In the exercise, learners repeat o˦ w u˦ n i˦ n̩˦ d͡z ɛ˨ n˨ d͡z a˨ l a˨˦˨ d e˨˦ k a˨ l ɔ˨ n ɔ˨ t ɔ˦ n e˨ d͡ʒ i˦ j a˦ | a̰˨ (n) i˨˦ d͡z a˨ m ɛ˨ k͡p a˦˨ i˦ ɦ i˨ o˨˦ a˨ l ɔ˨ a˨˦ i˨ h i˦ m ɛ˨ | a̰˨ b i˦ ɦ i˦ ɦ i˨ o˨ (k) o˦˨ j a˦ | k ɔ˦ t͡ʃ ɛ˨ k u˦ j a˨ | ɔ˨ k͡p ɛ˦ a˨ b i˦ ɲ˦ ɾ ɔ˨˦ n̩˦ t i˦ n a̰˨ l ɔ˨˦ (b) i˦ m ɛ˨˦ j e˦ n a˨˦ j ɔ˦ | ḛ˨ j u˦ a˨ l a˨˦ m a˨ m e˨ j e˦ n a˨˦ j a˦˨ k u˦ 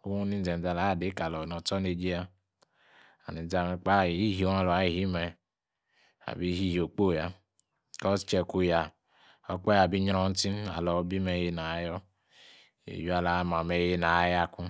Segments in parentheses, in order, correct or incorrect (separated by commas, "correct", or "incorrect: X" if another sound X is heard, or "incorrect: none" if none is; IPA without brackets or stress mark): correct, incorrect: k͡p, correct